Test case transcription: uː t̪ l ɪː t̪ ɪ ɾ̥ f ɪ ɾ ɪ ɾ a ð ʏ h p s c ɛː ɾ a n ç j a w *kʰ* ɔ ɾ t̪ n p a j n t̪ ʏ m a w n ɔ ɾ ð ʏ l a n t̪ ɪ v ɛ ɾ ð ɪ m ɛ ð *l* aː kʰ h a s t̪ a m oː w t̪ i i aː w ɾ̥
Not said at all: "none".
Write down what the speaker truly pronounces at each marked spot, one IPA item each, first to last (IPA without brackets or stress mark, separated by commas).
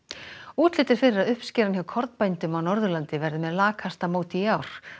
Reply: kʰ, l